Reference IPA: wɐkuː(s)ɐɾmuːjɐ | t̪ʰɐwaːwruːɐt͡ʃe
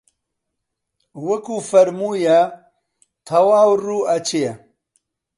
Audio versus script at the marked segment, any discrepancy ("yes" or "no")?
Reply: yes